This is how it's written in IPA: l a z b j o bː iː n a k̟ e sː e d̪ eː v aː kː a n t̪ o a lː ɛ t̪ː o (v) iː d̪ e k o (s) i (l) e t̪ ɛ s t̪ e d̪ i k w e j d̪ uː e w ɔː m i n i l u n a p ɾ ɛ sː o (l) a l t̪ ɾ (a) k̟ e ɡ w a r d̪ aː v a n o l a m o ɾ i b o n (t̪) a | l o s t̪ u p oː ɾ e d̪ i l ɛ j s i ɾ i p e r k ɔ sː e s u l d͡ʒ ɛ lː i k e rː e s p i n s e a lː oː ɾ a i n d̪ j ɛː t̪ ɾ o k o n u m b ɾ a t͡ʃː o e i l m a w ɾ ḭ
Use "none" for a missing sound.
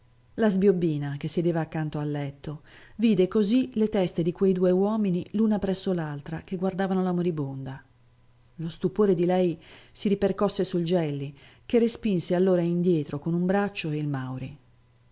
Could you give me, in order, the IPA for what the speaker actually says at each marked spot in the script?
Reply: v, z, l, l, a, d̪

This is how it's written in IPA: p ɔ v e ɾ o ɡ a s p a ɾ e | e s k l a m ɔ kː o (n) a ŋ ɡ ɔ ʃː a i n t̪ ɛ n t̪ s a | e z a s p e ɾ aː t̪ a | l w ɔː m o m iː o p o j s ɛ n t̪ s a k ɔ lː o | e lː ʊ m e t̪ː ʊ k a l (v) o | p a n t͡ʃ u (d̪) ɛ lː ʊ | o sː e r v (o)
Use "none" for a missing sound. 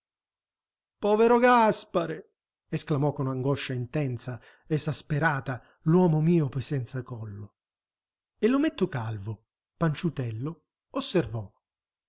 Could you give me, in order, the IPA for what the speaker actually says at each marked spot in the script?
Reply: n, v, t̪, ɔ

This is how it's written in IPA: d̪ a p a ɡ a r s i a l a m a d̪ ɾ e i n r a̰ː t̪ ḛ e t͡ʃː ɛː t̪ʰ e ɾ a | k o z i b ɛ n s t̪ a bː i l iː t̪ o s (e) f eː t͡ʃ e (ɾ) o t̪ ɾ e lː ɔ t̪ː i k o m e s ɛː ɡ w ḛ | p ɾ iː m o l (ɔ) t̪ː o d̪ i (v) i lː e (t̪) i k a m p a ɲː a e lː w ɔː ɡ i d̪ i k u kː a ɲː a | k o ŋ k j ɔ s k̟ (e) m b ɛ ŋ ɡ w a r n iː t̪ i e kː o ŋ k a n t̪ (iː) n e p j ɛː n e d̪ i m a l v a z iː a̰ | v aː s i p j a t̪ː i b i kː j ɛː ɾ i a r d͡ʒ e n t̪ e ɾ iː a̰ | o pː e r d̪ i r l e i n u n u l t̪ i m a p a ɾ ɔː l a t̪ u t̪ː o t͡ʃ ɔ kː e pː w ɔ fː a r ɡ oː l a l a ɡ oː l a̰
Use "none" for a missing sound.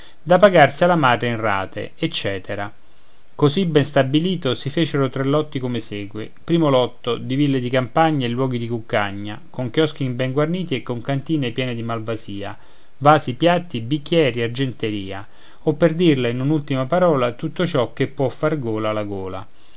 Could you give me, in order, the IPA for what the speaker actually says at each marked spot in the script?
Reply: i, ɾ, ɔ, v, d̪, i, iː

